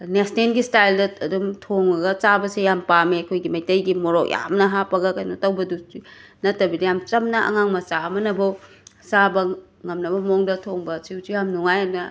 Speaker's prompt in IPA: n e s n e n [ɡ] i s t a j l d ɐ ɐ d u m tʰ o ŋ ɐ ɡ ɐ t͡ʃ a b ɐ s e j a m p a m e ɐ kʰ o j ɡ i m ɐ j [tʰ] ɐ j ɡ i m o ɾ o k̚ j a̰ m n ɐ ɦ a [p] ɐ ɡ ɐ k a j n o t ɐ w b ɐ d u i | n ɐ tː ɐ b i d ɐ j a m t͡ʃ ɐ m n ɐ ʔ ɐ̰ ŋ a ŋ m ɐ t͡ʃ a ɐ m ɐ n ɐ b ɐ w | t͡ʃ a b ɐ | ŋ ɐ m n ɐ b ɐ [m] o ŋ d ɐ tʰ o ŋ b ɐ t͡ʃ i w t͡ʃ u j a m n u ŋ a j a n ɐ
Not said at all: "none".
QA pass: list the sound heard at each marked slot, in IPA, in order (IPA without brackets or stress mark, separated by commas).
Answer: ɡ, t, p, m